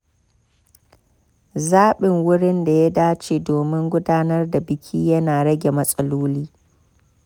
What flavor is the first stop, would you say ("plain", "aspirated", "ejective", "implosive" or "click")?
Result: implosive